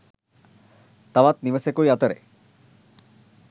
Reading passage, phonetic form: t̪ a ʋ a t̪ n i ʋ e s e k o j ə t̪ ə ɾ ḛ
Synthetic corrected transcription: t̪ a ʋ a t̪ n i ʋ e s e k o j a t̪ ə ɾ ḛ